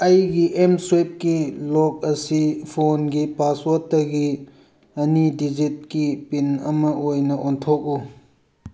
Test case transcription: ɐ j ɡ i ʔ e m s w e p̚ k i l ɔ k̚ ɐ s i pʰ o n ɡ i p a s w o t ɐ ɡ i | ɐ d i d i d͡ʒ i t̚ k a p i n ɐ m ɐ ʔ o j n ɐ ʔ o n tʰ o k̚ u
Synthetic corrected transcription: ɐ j ɡ i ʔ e m s w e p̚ k i l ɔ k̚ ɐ s i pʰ o n ɡ i p a s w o t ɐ ɡ i | ɐ n i d i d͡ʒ i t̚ k i p i n ɐ m ɐ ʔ o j n ɐ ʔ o n tʰ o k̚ u